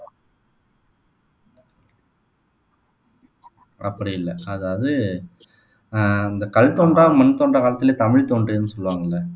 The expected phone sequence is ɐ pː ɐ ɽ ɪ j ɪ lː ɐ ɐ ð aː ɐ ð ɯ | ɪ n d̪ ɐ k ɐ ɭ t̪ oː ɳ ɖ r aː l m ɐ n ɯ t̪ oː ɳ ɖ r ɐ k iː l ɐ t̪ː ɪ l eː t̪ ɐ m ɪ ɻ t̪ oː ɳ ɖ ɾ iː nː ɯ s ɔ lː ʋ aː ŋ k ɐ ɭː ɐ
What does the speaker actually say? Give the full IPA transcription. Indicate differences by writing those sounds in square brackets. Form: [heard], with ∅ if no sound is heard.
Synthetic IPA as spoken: ɐ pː ɐ ɽ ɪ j ɪ lː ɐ ɐ ð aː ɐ ð ɯ | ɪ n d̪ ɐ k ɐ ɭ t̪ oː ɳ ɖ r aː [∅] m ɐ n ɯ t̪ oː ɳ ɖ r ɐ k [aː] l ɐ t̪ː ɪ l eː t̪ ɐ m ɪ ɻ t̪ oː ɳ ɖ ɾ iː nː ɯ s ɔ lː ʋ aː ŋ [ɡ] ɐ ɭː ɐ